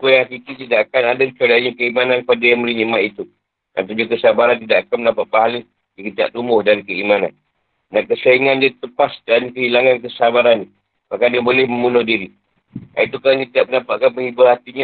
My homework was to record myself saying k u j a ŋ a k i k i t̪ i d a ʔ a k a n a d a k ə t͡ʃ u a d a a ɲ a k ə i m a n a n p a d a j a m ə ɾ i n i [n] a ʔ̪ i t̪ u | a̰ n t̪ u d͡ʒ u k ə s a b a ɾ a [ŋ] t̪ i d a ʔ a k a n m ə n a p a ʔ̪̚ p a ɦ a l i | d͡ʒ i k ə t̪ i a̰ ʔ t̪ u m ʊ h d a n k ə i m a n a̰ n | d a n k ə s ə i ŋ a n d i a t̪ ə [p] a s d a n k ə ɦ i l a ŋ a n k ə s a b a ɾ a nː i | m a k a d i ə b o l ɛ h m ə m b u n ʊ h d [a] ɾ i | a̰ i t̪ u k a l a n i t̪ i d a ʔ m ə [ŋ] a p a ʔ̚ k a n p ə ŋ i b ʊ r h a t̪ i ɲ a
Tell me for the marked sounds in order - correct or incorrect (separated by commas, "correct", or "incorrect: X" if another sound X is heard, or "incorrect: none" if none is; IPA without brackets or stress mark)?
incorrect: m, incorrect: n, correct, incorrect: i, incorrect: n